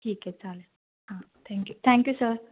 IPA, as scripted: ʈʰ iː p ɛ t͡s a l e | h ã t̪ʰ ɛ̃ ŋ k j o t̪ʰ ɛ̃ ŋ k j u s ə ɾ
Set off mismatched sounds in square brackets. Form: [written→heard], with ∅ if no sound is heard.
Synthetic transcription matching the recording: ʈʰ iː [p→k] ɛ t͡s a l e | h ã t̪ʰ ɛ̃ ŋ k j [o→u] t̪ʰ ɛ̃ ŋ k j u s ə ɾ

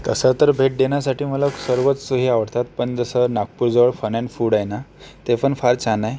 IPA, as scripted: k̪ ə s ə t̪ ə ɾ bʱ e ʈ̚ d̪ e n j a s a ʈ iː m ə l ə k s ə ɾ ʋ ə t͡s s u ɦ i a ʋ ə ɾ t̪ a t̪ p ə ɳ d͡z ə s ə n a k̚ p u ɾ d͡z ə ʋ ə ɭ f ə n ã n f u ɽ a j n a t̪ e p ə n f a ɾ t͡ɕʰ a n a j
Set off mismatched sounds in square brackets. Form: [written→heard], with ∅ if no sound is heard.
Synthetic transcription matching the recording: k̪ ə s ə t̪ ə ɾ bʱ e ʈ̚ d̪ e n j a s a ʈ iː m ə l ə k s ə ɾ ʋ ə t͡s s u ɦ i a ʋ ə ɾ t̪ a t̪ p ə ɳ d͡z ə s ə n a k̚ p u ɾ d͡z ə ʋ ə ɭ f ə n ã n f u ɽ a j n a t̪ e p ə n f a ɾ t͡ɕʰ a n a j

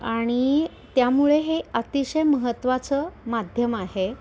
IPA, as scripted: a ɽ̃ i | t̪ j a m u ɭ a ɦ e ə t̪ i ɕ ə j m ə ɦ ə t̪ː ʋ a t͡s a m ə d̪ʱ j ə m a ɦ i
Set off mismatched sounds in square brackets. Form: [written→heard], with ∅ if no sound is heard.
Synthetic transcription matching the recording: a ɽ̃ i | t̪ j a m u ɭ [a→e] ɦ e ə t̪ i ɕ ə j m ə ɦ ə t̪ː ʋ a t͡s [a→ə] m [ə→a] d̪ʱ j ə m a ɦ [i→e]

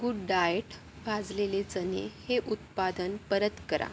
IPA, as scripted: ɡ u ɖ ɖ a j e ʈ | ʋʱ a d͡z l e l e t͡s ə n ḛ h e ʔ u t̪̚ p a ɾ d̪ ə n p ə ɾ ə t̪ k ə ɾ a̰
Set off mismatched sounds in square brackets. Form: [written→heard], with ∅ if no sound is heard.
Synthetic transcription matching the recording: ɡ u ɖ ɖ a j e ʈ | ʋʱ a d͡z l e l e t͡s ə n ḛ h e ʔ u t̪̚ p a [ɾ→∅] d̪ ə n p ə ɾ ə t̪ k ə ɾ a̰

